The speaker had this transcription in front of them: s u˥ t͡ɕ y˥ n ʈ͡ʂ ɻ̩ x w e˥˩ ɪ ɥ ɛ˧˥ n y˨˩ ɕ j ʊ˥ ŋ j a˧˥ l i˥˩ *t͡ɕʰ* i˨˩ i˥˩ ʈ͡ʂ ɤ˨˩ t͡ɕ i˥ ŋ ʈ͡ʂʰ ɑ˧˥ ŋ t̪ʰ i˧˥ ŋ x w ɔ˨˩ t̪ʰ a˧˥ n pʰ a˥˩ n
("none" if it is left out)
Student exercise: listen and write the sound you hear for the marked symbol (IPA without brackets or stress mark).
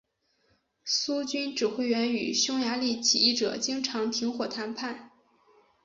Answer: t͡ɕʰ